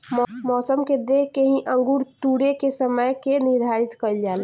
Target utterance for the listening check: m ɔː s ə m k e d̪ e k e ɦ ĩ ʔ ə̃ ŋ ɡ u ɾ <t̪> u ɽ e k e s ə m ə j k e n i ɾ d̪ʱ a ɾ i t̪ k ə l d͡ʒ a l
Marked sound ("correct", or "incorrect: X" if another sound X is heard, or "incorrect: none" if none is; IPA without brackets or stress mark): correct